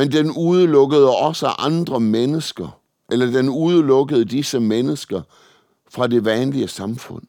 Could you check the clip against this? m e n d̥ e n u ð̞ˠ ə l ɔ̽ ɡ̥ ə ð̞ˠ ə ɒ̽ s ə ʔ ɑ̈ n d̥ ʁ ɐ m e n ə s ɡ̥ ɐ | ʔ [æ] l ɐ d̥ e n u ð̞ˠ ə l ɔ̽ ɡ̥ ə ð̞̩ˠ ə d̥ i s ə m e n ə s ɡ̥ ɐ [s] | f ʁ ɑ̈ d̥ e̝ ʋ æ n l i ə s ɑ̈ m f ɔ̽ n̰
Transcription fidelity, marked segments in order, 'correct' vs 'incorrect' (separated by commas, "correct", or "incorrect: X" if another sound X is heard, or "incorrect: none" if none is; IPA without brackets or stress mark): incorrect: e, incorrect: none